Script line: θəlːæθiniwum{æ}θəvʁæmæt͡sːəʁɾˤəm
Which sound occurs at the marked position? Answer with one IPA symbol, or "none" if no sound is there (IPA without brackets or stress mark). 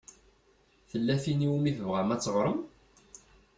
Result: i